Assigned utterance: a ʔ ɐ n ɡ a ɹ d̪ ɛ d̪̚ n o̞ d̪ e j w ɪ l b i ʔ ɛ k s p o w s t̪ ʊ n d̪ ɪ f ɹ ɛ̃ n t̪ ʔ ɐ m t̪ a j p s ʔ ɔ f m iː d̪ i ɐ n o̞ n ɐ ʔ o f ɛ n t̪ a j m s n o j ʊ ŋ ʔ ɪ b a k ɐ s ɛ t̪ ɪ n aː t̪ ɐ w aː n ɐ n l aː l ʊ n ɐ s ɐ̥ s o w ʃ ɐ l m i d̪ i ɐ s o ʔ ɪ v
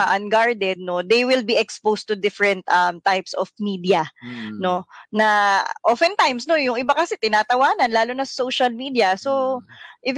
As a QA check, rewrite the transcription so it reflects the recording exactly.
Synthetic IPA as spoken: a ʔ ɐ n ɡ a ɹ d̪ ɛ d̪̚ n o̞ d̪ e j w ɪ l b i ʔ ɛ k s p o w s t̪ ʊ d̪ ɪ f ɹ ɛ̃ n t̪ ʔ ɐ m t̪ a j p s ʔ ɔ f m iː d̪ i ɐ n o̞ n ɐ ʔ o f ɛ n t̪ a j m s n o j ʊ ŋ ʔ ɪ b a k ɐ s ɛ t̪ ɪ n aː t̪ ɐ w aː n ɐ n l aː l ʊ n ɐ s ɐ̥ s o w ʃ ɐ l m i d̪ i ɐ s o ʔ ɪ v